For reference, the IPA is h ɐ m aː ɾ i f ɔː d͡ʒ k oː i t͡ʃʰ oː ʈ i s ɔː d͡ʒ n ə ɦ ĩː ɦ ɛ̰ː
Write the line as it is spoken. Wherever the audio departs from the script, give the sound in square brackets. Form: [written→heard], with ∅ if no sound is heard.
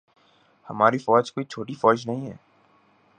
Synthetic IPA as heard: h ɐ m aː ɾ i f ɔː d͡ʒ k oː i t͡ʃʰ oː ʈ i [s→f] ɔː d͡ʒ n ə ɦ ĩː ɦ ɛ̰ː